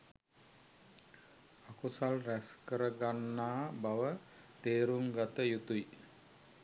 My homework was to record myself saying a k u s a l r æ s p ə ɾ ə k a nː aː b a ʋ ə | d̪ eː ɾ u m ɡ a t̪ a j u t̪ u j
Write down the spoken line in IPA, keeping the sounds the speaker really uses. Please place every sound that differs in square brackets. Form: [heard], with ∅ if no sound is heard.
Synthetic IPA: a k u s a l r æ s [k] ə ɾ ə [ɡ] a nː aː b a ʋ ə | [t̪] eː ɾ u [ŋ] ɡ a t̪ [ə] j u t̪ u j